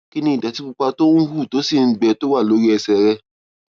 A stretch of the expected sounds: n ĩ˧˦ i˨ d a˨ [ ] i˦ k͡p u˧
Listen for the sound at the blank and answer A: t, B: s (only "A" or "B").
A